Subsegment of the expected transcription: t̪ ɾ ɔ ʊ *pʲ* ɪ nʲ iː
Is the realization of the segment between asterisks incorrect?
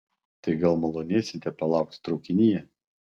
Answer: yes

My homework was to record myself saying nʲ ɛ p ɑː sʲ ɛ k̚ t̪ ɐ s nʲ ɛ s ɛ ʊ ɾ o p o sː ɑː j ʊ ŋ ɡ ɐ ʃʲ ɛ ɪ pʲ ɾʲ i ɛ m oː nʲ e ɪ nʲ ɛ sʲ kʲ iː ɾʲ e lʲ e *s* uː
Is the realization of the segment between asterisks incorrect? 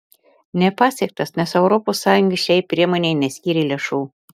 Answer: yes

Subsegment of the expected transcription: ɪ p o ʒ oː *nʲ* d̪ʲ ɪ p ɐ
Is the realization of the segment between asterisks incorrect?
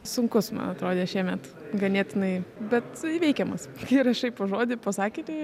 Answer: yes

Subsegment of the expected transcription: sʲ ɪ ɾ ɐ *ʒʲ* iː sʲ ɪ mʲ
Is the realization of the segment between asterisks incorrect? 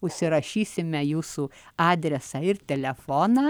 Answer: yes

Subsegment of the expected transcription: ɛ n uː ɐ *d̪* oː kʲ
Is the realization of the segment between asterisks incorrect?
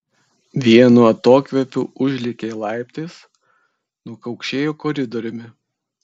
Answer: yes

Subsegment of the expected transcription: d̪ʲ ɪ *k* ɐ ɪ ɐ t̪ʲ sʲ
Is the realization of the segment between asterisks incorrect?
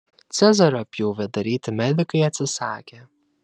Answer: no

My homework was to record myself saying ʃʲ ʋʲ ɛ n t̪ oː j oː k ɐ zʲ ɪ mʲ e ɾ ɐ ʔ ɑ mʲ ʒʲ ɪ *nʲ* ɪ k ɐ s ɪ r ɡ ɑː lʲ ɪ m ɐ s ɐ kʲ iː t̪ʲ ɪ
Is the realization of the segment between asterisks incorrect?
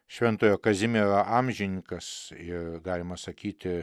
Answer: no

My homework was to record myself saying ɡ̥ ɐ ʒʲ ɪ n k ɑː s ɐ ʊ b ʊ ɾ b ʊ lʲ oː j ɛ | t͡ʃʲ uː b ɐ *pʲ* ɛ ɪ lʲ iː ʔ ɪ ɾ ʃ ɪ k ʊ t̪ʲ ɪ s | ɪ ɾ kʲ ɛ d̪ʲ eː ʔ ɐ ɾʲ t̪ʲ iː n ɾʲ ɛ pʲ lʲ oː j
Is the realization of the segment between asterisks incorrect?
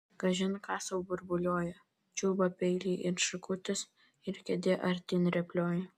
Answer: no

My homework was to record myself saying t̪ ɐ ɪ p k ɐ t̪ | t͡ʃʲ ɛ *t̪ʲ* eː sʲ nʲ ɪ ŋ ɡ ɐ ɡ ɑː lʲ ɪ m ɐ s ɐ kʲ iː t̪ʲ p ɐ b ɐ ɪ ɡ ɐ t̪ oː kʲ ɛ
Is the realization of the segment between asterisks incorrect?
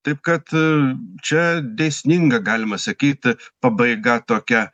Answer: yes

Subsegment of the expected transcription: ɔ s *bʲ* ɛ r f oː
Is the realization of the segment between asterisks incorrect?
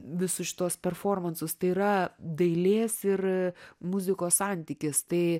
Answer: yes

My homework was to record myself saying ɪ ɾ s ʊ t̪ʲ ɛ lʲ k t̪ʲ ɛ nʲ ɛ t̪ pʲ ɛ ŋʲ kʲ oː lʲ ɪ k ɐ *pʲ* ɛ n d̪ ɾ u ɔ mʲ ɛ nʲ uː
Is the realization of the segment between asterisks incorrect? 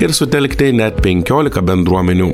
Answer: yes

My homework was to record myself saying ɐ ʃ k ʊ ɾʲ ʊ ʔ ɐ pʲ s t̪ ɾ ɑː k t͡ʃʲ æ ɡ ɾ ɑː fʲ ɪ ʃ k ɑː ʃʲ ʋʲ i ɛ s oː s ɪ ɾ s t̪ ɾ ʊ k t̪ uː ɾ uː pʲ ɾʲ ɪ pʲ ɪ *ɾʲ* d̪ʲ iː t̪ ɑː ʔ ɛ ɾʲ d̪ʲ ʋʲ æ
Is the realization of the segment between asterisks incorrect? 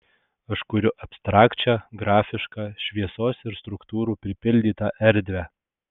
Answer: yes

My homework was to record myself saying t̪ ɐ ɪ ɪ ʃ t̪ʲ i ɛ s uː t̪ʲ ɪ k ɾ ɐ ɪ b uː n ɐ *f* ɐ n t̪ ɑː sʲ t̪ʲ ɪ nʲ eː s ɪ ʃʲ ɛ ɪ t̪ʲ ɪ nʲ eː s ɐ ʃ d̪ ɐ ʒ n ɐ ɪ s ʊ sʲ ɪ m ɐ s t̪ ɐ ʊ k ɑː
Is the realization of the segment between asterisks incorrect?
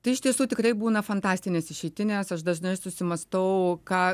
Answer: no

